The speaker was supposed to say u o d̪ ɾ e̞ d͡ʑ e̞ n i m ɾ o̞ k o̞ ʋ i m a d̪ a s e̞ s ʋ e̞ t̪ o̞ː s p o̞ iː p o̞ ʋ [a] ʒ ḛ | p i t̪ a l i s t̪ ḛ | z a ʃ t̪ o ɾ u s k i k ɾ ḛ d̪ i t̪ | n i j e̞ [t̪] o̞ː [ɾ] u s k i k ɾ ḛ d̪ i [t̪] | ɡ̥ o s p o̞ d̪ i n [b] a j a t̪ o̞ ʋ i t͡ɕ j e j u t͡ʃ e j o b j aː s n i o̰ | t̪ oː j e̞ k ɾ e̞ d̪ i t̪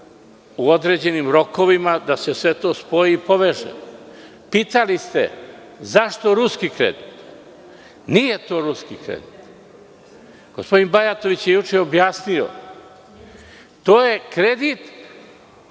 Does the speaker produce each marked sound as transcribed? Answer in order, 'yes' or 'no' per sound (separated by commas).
no, yes, yes, yes, yes